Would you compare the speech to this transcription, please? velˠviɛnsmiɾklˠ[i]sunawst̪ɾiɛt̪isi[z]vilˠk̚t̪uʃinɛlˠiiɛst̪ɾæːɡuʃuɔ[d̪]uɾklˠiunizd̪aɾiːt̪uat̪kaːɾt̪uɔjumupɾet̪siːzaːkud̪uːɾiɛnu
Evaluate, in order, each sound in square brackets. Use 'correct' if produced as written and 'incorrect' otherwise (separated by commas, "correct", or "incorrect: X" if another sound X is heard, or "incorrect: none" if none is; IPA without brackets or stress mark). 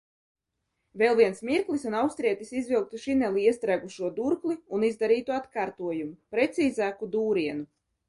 correct, correct, correct